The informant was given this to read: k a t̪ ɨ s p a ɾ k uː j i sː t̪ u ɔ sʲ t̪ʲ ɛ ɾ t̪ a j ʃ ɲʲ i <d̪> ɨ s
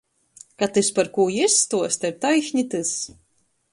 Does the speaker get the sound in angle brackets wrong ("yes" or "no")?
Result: yes